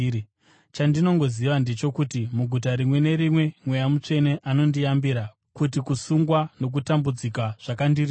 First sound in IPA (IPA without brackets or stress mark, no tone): t͡ʃ